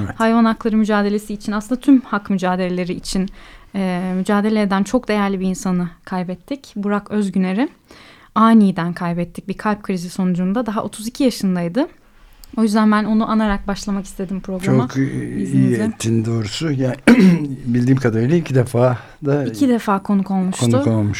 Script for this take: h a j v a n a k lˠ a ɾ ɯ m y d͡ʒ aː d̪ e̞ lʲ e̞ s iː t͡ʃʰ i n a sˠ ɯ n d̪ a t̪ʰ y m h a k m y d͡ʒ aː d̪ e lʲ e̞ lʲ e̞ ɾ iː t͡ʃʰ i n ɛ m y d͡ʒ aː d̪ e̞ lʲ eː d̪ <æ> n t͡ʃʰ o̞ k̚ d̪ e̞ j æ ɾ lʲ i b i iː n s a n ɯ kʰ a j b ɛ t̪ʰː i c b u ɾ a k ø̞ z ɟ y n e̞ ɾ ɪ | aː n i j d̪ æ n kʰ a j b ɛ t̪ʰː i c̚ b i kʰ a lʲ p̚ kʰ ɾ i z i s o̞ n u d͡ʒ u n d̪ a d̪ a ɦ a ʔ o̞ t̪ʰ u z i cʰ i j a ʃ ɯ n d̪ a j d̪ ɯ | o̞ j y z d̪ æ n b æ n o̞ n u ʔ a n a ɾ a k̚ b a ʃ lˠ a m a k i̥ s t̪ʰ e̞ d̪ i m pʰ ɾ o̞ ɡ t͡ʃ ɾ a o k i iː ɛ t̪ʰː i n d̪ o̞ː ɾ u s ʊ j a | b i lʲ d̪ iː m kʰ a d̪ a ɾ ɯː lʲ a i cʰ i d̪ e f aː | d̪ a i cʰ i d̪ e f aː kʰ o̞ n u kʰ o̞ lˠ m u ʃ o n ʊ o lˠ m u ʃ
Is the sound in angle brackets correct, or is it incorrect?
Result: correct